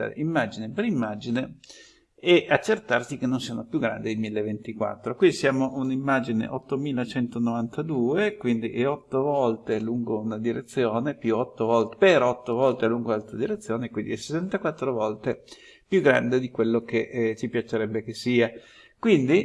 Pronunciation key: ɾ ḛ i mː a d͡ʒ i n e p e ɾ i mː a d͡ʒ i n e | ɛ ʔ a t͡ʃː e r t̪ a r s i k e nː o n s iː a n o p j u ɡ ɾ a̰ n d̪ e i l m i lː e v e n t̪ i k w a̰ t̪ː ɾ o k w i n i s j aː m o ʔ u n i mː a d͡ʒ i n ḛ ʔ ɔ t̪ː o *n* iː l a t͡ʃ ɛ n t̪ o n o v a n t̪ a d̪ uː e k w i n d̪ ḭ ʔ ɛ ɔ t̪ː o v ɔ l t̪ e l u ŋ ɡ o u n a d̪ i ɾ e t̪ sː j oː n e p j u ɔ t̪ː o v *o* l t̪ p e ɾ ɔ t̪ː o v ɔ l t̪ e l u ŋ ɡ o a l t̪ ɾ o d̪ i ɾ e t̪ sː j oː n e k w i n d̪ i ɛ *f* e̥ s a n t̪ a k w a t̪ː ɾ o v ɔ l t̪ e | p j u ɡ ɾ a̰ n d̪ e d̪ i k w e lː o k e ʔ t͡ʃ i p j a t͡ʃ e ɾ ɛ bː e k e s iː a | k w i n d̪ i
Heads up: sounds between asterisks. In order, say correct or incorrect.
incorrect, incorrect, incorrect

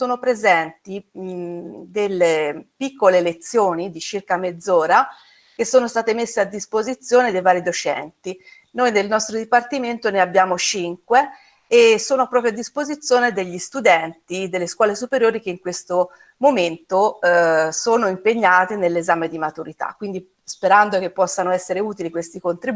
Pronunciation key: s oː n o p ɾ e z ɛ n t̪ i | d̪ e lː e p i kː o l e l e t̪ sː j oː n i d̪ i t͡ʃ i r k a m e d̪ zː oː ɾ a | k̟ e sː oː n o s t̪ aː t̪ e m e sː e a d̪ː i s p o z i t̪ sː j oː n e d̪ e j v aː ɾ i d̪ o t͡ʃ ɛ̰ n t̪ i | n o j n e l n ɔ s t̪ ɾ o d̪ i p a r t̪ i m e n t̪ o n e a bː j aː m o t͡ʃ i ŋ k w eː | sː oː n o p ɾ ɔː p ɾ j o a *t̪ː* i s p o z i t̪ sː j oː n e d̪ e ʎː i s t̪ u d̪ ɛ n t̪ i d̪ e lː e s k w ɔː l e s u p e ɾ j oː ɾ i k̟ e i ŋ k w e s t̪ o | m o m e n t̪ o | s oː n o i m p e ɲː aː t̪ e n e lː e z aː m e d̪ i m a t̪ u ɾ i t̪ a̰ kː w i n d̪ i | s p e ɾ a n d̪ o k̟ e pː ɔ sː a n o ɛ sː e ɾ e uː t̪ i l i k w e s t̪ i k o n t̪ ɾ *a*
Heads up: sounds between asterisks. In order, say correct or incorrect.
incorrect, incorrect

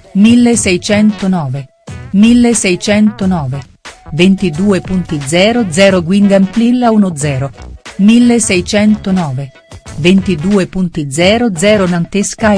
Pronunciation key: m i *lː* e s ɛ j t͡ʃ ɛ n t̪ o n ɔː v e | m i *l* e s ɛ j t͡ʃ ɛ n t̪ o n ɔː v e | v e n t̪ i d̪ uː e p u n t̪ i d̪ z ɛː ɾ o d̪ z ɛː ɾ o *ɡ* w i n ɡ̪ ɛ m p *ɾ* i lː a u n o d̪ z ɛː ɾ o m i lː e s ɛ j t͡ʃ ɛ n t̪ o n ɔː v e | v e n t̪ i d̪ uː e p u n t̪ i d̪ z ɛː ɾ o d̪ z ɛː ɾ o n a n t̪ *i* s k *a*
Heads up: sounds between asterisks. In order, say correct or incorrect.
correct, incorrect, correct, incorrect, incorrect, correct

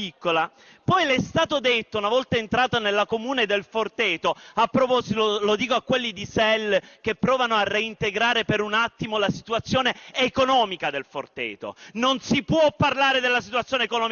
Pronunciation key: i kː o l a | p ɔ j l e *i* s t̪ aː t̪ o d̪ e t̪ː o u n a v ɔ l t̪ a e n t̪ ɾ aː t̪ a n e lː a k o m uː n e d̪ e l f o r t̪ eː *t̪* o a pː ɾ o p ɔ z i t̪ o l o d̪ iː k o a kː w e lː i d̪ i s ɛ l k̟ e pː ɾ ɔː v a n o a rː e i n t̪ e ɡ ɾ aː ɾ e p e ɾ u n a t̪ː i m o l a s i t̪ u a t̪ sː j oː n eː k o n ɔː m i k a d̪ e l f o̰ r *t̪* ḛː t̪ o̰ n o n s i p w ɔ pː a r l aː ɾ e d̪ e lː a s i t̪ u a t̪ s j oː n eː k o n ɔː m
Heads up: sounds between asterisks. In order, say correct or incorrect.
incorrect, correct, correct

